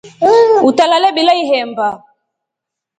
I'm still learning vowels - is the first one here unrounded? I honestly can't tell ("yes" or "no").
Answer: no